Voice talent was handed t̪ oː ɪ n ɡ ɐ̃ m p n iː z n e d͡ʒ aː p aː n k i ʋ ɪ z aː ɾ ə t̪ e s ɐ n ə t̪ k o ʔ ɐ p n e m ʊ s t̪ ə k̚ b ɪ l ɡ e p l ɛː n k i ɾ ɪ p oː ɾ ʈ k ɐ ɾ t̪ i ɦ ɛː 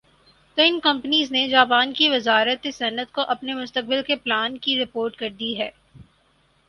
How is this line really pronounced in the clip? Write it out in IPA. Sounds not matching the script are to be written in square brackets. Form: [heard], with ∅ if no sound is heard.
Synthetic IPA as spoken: t̪ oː ɪ n [k] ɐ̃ m p n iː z n e d͡ʒ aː p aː n k i ʋ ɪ z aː ɾ ə t̪ e s ɐ n ə t̪ k o ʔ ɐ p n e m ʊ s t̪ ə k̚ b ɪ l [k] e p l [aː] n k i ɾ ɪ p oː ɾ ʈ k ɐ ɾ [d̪] i ɦ ɛː